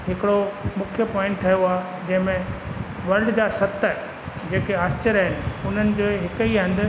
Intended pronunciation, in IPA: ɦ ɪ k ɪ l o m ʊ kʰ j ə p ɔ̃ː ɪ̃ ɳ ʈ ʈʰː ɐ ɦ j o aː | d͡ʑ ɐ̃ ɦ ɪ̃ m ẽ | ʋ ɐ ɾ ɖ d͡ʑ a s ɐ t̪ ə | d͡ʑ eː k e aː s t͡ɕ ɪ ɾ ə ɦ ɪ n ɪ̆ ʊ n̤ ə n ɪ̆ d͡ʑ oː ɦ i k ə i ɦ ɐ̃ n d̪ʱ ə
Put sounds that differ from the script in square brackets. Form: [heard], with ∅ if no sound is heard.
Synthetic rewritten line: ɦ ɪ k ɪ [ɽ] o m ʊ kʰ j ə p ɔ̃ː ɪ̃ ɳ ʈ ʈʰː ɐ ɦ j o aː | d͡ʑ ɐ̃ ɦ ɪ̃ m ẽ | ʋ ɐ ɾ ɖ d͡ʑ a s ɐ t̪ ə | d͡ʑ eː k e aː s t͡ɕ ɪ ɾ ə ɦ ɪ n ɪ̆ ʊ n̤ ə n ɪ̆ d͡ʑ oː ɦ [ɪ] k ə i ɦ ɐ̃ n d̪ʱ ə